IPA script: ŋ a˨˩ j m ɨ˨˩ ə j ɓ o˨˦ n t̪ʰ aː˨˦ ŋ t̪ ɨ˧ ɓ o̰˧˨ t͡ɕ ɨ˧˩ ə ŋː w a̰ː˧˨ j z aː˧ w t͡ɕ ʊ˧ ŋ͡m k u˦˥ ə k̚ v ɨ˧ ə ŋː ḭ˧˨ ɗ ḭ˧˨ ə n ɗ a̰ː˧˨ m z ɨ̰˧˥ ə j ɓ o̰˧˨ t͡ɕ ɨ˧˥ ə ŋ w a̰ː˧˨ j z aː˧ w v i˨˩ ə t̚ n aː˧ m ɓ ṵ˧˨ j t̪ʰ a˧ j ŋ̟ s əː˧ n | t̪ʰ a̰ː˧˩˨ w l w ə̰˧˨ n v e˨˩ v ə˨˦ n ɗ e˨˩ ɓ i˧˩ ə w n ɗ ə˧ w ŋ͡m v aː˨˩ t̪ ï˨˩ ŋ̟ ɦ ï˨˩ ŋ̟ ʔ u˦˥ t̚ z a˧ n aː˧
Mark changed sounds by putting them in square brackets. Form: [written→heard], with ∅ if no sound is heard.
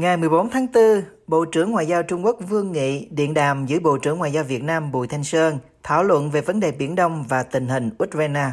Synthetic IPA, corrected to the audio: ŋ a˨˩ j m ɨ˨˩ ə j ɓ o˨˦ n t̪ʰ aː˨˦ ŋ t̪ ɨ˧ ɓ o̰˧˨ t͡ɕ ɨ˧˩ ə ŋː w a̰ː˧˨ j z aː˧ w t͡ɕ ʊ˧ ŋ͡m k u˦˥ ə k̚ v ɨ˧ ə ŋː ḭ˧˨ ɗ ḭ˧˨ ə n ɗ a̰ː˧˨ m z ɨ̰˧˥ ə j ɓ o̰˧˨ t͡ɕ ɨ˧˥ ə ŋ w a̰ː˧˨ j z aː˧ w v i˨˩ ə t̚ n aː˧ m ɓ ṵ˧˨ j t̪ʰ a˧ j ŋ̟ s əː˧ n | t̪ʰ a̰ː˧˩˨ w l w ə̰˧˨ n v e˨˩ v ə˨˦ n ɗ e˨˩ ɓ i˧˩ ə [w→∅] n ɗ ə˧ w ŋ͡m v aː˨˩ t̪ ï˨˩ ŋ̟ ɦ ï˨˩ ŋ̟ ʔ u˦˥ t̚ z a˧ n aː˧